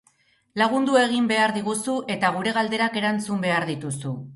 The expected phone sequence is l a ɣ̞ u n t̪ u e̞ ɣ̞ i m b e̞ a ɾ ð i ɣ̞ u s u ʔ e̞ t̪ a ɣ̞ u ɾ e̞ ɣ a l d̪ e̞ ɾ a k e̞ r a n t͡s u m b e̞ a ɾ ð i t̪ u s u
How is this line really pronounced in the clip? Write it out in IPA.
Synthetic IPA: l a ɣ̞ u n d̪ u e̞ ɣ̞ i m b e̞ a ɾ ð i ɣ̞ u s u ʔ e̞ t̪ a ɣ̞ u ɾ e̞ ɣ a l d̪ e̞ ɾ a k e̞ ɾ a n t͡s u m b e̞ a ɾ ð i t̪ u s u